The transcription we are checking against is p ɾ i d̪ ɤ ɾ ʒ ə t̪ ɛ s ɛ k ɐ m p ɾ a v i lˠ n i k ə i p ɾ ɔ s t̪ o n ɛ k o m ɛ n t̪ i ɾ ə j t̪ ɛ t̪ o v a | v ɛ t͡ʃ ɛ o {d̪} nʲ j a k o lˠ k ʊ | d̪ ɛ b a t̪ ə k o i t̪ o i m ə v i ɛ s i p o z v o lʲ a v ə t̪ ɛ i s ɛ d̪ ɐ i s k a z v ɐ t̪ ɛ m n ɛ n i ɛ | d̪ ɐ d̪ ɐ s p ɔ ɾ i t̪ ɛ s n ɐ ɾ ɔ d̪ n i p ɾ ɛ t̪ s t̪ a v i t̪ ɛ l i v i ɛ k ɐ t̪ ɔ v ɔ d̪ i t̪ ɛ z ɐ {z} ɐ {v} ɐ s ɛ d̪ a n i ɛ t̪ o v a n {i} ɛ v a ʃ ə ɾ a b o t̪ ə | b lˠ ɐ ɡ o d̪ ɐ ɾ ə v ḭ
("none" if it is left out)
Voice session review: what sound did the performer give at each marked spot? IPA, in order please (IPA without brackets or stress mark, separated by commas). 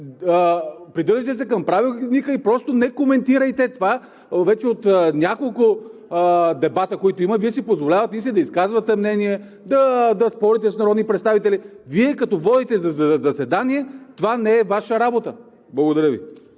t̪, z, z, ɛ